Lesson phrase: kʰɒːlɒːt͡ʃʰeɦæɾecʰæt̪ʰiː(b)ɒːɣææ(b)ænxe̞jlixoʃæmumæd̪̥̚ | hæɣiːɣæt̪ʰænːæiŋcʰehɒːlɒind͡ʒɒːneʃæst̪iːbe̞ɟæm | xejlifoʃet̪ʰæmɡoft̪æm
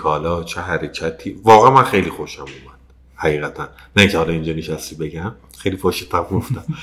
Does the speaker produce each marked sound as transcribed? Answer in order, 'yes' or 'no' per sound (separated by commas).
no, no